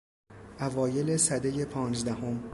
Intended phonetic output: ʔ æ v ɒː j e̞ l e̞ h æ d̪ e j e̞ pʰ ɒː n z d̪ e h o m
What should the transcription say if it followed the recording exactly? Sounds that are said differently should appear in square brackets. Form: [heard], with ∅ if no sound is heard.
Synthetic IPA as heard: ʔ æ v ɒː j e̞ l e̞ [s] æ d̪ e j e̞ pʰ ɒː n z d̪ [æ] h o m